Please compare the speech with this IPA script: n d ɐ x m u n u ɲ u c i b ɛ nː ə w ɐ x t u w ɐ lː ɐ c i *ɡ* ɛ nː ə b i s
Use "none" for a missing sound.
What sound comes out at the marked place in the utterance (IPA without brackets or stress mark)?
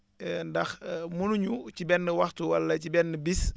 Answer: b